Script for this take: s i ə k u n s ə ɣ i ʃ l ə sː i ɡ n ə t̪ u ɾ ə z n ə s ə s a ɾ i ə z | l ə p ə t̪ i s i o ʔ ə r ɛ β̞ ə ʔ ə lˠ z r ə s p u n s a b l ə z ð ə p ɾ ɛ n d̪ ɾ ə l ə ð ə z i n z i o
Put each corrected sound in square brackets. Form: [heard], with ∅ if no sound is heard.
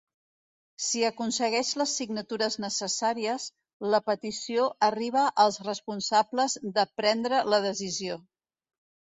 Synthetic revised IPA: s i ə k u n s ə ɣ [ɛ] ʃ l ə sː i ɡ n ə t̪ u ɾ ə z n ə s ə s a ɾ i ə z | l ə p ə t̪ i s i o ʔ ə r [i] β̞ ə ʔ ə lˠ z r ə s p u n s a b l ə z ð ə p ɾ ɛ n d̪ ɾ ə l ə ð ə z i [∅] z i o